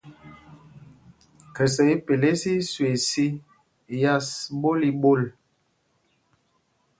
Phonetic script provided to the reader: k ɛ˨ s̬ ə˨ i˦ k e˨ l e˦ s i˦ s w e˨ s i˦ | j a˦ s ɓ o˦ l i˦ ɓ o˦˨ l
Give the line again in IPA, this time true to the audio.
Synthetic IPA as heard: k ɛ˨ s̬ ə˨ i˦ p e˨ l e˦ s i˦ s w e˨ s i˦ | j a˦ s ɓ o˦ l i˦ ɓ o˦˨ l